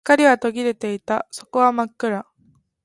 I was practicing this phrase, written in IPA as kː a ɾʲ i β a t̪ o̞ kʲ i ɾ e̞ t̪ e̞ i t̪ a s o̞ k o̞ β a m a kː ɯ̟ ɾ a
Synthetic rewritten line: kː a ɾʲ i β a t̪ o̞ ɡʲ i ɾ e̞ t̪ e̞ i t̪ a s o̞ k o̞ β a m a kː ɯ̟ ɾ a